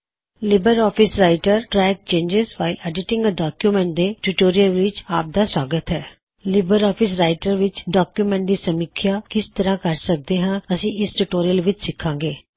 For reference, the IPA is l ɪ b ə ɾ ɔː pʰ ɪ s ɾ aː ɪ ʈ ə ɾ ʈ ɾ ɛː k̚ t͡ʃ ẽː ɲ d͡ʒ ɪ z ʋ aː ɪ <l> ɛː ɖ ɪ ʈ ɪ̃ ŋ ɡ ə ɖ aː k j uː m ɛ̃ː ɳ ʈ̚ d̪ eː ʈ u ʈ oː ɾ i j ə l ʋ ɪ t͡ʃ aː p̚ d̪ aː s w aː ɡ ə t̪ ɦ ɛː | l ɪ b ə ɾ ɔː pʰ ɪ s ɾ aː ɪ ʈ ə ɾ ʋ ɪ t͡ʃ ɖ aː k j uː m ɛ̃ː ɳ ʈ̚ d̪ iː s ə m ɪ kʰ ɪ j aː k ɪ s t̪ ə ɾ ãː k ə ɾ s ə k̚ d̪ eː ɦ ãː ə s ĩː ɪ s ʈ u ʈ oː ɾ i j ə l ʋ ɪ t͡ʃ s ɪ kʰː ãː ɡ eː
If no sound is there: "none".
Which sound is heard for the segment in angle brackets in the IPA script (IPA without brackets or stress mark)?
l